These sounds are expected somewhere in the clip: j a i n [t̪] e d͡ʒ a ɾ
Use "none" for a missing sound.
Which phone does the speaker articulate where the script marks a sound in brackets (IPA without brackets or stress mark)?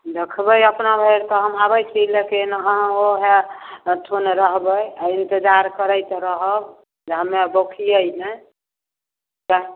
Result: t̪